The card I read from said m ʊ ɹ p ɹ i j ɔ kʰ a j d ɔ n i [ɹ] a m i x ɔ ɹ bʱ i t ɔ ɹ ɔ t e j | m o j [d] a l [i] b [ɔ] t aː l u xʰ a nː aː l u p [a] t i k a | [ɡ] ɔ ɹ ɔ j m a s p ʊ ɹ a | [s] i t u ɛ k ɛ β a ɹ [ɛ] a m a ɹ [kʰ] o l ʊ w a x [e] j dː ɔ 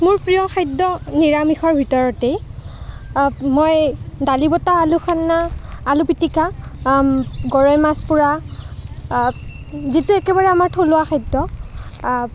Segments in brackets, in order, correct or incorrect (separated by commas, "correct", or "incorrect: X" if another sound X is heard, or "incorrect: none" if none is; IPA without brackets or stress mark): correct, correct, correct, correct, incorrect: i, correct, incorrect: z, correct, incorrect: tʰ, incorrect: a